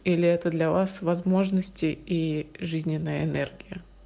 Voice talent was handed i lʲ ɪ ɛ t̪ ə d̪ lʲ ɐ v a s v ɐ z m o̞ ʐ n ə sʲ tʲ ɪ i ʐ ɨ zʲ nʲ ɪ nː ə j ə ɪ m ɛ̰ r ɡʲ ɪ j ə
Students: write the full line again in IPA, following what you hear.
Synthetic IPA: i lʲ ɪ ɛ t̪ ə d̪ lʲ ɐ v a s v ɐ z m o̞ ʐ n ə sʲ tʲ ɪ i ʐ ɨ zʲ nʲ ɪ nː ə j ə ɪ n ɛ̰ r ɡʲ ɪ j ə